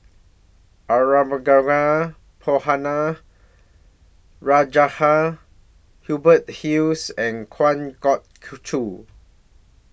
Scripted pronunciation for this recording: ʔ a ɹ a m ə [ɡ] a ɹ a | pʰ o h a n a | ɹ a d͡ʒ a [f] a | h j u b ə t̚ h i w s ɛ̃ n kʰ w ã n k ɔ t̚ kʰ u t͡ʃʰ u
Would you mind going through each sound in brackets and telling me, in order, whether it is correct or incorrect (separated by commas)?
correct, incorrect